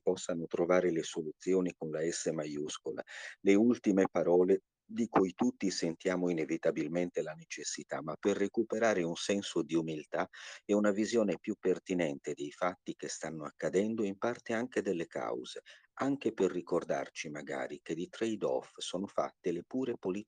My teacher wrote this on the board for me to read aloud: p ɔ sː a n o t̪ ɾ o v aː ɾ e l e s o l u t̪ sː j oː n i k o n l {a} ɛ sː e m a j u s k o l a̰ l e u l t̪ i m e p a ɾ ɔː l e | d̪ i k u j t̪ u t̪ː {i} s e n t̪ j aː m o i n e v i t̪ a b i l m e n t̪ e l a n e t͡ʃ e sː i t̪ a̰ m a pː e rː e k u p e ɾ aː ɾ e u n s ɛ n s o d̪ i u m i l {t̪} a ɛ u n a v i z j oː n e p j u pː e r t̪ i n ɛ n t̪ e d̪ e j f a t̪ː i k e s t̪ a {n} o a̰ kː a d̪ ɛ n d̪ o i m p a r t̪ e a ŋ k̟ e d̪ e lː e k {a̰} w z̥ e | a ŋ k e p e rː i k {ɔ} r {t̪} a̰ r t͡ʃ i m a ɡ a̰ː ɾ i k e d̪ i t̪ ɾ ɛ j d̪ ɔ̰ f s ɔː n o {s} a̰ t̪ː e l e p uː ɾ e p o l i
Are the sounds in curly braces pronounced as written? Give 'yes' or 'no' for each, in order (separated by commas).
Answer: yes, yes, yes, no, yes, no, no, no